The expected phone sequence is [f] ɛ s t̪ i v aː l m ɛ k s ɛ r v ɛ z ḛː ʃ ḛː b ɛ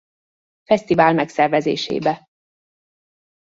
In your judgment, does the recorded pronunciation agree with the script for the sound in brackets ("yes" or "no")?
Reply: yes